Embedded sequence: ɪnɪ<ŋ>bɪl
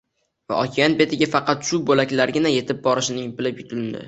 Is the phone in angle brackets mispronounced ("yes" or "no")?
no